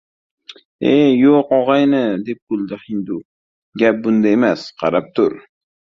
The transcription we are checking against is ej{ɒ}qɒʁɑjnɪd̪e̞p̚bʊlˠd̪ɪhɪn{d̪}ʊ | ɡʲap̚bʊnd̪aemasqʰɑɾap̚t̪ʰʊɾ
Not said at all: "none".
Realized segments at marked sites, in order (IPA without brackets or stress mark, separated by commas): o, d̪